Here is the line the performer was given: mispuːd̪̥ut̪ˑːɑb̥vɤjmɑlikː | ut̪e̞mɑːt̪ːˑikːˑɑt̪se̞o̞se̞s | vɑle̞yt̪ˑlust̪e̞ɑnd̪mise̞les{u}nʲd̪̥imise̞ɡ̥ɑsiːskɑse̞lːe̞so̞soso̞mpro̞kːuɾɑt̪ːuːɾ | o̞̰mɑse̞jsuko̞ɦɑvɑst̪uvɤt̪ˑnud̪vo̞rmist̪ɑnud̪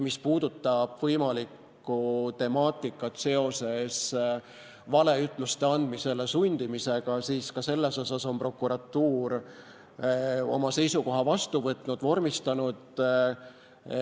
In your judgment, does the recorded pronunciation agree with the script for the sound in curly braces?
yes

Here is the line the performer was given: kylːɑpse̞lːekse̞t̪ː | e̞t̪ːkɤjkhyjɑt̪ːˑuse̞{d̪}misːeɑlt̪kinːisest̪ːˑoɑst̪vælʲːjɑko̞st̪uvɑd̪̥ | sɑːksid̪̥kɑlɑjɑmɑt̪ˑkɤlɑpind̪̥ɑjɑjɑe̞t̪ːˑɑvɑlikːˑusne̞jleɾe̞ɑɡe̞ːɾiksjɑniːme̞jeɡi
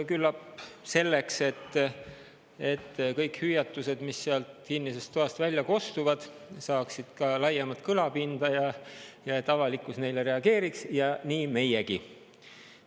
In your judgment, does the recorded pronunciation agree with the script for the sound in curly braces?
yes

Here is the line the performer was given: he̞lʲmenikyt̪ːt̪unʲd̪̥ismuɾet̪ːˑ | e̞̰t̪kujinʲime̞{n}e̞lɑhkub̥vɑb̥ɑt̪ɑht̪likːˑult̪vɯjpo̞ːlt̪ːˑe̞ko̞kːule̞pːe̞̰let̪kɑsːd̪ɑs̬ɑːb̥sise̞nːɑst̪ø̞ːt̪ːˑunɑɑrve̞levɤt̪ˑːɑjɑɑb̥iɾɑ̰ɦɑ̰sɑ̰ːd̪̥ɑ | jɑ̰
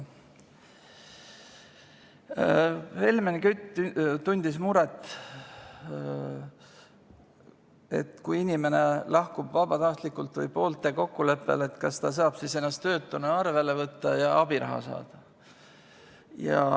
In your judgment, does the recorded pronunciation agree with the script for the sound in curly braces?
yes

